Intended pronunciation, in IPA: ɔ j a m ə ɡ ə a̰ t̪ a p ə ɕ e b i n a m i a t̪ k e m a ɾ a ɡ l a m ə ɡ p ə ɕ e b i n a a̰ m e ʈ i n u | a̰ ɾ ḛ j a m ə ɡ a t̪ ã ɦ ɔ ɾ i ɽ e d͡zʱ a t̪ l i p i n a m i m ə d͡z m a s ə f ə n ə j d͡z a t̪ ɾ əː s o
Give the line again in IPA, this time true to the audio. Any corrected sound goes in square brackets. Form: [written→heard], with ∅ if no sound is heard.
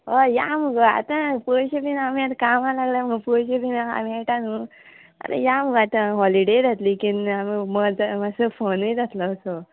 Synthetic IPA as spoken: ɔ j a m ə ɡ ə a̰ t̪ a p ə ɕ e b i n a m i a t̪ k [e→a] m a [ɾ→l] a ɡ l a m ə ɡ p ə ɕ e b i n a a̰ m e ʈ [i→a] n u | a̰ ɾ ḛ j a m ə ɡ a t̪ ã ɦ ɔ [ɾ→l] i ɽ e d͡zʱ a t̪ l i [p→k] i n a m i m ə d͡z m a s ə f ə n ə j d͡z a t̪ [ɾ→l] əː s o